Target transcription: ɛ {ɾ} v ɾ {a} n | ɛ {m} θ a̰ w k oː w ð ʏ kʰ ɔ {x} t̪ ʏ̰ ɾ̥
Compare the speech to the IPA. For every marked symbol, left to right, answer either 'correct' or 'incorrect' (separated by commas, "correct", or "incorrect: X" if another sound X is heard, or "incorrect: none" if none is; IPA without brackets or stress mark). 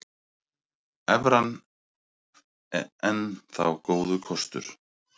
incorrect: none, correct, incorrect: n, incorrect: s